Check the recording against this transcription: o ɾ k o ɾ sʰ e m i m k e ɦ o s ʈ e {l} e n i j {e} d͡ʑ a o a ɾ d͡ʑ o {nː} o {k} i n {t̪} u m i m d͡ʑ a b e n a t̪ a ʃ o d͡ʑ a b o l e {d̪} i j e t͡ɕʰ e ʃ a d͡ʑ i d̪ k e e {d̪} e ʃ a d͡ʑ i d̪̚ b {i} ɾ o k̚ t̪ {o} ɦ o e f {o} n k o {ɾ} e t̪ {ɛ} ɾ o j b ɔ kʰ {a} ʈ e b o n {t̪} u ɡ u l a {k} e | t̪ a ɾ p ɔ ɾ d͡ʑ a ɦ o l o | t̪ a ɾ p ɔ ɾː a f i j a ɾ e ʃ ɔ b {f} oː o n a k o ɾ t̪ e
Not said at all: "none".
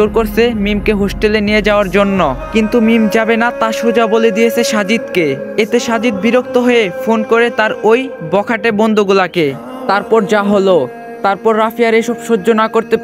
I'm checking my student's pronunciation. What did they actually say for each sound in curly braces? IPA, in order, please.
l, e, nː, k, t̪, d̪, t̪, i, o, o, ɾ, a, a, d̪, k, ʃ

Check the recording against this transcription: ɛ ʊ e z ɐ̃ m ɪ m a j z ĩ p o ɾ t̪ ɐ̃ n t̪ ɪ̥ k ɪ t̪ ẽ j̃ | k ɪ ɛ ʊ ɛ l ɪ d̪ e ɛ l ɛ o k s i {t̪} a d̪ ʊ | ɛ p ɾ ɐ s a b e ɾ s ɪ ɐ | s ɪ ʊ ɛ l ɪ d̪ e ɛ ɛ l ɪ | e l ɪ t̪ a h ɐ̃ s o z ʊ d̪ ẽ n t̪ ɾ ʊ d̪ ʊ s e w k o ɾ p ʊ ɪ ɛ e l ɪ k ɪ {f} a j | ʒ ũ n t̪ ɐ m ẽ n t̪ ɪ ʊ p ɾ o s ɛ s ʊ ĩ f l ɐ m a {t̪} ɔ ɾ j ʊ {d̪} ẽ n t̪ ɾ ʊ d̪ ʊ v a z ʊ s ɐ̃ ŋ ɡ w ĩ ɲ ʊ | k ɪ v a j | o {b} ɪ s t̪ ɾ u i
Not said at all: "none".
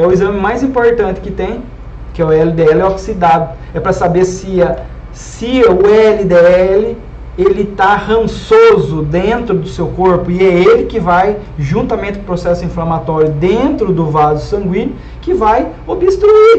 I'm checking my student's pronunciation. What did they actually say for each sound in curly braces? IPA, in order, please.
d̪, v, t̪, d̪, b

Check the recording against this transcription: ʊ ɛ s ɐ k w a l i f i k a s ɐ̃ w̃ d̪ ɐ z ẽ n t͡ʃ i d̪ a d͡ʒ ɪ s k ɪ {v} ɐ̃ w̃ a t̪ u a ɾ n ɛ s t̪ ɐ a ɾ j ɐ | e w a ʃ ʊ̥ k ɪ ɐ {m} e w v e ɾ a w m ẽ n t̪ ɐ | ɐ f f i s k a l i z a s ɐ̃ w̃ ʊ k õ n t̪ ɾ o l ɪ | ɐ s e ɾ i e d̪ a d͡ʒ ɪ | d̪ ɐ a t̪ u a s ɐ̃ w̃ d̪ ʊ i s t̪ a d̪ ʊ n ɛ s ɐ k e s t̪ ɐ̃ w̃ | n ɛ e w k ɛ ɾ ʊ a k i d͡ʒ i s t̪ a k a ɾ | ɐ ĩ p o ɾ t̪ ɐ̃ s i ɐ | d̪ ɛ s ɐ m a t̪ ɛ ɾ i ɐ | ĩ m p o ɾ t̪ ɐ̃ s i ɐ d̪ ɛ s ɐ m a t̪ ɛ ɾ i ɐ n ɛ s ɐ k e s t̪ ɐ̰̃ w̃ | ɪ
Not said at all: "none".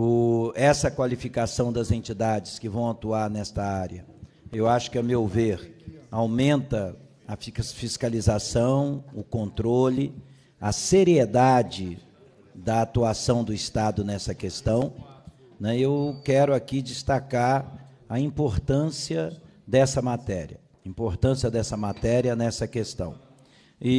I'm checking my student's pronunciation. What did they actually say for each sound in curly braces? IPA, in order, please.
v, m

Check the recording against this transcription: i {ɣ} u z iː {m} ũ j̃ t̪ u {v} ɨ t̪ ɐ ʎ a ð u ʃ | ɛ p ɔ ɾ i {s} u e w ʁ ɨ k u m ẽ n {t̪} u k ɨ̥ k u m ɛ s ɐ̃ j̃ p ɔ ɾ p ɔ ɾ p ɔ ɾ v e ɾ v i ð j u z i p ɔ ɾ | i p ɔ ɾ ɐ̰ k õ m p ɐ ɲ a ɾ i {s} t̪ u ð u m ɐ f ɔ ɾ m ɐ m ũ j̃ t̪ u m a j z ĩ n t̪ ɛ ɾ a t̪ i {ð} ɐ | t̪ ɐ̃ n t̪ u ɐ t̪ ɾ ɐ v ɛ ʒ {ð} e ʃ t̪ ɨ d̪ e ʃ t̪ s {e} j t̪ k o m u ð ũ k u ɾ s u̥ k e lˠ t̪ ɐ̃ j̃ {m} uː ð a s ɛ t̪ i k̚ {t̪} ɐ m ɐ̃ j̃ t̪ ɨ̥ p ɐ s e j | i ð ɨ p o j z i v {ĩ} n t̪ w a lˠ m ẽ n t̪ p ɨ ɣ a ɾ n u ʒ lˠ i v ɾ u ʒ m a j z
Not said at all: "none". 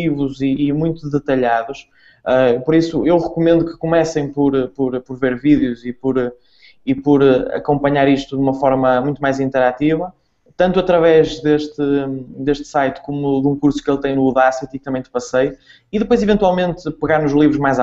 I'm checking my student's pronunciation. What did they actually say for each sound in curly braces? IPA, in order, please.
v, m, ð, s, d̪, ʃ, v, ð, a, n, t̪, ẽ

